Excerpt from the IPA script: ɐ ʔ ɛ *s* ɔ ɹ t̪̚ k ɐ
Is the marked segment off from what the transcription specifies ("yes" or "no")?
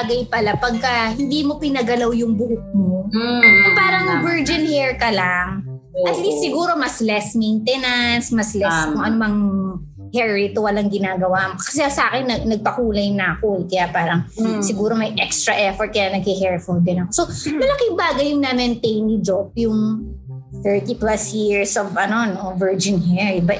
yes